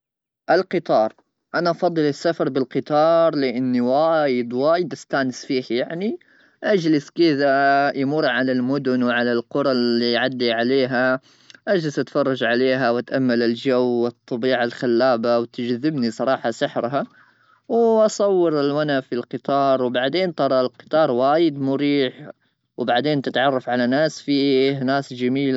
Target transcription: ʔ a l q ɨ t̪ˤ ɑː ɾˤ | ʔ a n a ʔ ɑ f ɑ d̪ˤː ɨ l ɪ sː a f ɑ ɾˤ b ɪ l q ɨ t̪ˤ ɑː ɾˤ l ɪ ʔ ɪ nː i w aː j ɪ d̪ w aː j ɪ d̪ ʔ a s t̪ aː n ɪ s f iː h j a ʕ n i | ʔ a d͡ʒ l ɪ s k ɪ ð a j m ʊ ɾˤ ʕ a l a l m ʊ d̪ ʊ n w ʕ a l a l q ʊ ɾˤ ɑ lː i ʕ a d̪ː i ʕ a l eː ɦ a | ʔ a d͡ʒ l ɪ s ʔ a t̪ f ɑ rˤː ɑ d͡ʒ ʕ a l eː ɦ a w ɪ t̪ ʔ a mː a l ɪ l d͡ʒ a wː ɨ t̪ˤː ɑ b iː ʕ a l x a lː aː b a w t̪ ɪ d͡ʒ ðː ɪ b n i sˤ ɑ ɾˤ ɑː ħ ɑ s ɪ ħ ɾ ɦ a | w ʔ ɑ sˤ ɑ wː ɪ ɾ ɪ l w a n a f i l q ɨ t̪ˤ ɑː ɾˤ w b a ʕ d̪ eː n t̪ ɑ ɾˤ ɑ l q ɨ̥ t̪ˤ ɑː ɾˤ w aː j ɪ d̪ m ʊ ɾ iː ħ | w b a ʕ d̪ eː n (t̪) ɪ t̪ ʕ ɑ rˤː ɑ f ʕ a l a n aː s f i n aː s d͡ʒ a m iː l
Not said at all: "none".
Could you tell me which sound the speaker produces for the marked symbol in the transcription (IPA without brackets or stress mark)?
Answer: t̪